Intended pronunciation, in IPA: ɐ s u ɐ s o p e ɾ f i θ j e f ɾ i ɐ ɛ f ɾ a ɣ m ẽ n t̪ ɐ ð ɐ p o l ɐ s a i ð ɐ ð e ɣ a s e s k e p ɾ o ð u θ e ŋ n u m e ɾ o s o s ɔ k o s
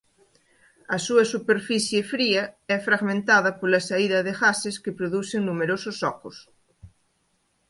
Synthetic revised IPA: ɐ s u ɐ s u p e ɾ f i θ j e f ɾ i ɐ ɛ f ɾ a ɣ m ẽ n t̪ a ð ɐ p o l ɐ s a i ð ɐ ð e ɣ a s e s k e p ɾ o ð u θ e ŋ n u m e ɾ o s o s ɔ k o s